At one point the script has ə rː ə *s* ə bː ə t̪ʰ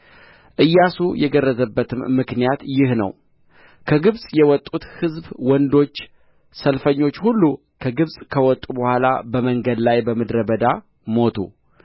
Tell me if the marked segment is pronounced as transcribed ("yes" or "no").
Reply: no